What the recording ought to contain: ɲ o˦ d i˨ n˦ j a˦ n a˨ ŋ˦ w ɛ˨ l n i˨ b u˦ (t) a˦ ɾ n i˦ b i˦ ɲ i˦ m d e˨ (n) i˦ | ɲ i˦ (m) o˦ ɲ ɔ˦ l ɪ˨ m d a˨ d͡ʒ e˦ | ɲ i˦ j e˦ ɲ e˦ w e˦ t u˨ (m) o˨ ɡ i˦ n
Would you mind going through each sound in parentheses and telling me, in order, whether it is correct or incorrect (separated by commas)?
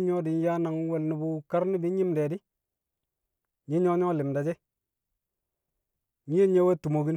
incorrect, incorrect, incorrect, correct